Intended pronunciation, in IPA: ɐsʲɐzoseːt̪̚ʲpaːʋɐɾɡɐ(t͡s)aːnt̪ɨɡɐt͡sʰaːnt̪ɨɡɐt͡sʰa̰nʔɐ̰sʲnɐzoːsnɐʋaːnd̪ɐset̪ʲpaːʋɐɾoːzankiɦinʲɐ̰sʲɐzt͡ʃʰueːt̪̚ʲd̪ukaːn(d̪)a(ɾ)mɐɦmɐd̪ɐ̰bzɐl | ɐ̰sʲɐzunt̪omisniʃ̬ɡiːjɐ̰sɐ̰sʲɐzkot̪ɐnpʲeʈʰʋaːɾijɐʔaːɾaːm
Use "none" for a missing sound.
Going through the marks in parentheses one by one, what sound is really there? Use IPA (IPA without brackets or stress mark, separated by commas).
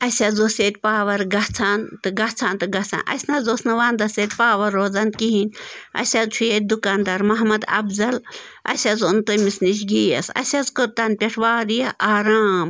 t͡sʰ, d̪, ɾ